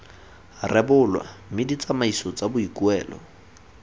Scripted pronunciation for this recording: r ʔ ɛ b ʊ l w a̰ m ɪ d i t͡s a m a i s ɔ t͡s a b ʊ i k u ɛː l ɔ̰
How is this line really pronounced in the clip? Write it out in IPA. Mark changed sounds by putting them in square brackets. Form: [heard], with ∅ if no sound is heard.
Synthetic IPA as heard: r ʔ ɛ b ʊ l w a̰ m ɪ d i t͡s a m a i s ɔ t͡s a b ʊ i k u ɛː l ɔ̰